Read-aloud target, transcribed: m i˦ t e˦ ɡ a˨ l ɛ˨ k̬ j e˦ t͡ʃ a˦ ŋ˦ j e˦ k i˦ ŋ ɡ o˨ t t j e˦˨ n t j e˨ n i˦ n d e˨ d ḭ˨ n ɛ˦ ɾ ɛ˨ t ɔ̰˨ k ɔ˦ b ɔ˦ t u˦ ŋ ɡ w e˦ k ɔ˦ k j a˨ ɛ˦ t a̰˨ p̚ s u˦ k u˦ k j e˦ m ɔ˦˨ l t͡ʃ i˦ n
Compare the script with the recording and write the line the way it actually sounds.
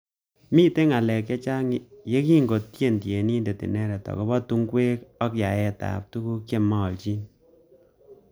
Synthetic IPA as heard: m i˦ t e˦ ŋ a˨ l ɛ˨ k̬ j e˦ t͡ʃ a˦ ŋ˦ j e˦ k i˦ ŋ ɡ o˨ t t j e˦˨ n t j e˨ n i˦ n d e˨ t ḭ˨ n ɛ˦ ɾ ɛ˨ t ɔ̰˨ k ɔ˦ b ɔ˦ t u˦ ŋ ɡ w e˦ k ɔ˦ k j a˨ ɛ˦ t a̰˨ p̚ t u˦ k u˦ k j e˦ m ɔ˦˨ l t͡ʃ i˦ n